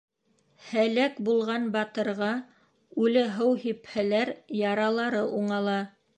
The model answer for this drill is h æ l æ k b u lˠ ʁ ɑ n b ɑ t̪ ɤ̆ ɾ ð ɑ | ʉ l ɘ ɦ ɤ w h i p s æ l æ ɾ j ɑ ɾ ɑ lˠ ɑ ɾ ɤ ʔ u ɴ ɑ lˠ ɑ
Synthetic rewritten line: h æ l æ k b u lˠ ʁ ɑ n b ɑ t̪ ɤ̆ ɾ ʁ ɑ | ʉ l ɘ ɦ ɤ w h i p h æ l æ ɾ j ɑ ɾ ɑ lˠ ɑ ɾ ɤ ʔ u ɴ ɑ lˠ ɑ